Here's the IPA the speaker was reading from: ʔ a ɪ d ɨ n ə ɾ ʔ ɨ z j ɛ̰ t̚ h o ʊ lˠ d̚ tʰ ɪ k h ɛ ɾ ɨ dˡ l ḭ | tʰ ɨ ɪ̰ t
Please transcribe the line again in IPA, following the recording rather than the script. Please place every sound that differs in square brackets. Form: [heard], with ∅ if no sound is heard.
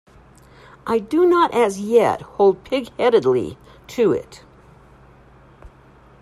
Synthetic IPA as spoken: ʔ a ɪ d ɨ n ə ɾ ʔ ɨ z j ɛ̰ t̚ h o ʊ lˠ d̚ [pʰ] ɪ [ɡ] h ɛ ɾ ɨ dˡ l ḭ | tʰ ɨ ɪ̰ t